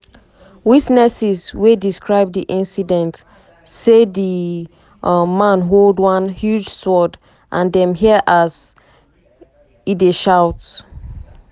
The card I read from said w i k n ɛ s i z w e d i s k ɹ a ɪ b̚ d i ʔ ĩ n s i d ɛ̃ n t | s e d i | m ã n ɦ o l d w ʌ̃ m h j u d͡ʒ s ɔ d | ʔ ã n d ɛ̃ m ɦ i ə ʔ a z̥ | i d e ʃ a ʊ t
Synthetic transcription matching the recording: w i t n ɛ s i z w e d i s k ɹ a ɪ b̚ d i ʔ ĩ n s i d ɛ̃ n t | s e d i | m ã n ɦ o l d w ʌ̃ n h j u d͡ʒ s ɔ d | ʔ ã n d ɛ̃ m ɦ i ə ʔ a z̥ | i d e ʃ a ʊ t